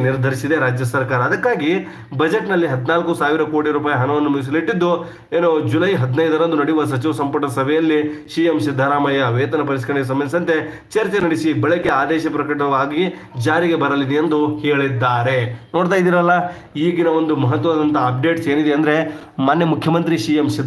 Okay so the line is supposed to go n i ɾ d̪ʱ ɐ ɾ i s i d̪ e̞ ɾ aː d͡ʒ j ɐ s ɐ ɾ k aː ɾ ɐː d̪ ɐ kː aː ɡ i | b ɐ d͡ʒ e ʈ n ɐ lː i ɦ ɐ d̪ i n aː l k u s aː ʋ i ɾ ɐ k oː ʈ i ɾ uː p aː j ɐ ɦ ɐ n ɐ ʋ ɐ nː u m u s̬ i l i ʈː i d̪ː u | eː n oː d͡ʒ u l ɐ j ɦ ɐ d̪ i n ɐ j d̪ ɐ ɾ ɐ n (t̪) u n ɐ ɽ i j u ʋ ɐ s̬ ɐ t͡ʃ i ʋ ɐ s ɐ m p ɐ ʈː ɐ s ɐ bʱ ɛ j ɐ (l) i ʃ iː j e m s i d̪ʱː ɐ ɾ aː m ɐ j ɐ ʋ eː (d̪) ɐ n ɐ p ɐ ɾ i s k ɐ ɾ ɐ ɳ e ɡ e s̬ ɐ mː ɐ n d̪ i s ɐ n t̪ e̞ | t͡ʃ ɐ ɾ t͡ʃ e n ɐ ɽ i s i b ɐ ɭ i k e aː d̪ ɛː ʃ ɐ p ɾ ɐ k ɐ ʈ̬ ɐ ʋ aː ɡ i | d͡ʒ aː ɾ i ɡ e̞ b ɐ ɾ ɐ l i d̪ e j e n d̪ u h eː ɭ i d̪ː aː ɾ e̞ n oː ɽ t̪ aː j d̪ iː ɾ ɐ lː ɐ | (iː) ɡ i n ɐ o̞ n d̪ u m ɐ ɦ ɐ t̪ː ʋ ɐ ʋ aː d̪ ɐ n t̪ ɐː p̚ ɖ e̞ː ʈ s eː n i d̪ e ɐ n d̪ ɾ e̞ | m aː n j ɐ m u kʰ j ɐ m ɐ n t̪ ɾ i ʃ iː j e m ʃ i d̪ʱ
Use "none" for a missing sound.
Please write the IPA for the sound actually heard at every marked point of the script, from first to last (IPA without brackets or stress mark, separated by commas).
d̪, lː, t̪, iː